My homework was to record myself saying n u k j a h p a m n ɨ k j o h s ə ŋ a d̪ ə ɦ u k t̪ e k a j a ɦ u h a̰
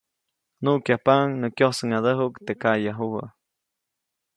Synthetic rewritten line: n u k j a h p a ŋ n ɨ k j o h s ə ŋ a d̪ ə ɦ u k t̪ e k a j a ɦ u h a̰